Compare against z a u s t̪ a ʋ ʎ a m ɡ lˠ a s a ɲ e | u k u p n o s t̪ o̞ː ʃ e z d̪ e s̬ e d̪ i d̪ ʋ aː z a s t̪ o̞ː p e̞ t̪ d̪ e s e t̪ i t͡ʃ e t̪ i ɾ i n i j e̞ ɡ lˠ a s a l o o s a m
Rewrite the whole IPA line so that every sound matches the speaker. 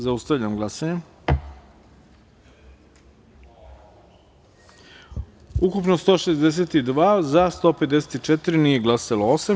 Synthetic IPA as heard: z a u s t̪ a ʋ ʎ a m ɡ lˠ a s a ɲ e | u k u p n o s t̪ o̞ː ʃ e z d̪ e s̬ e t̪ i d̪ ʋ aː z a s t̪ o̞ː p e̞ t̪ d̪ e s e t̪ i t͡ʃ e t̪ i ɾ i n i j e̞ ɡ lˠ a s a l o o s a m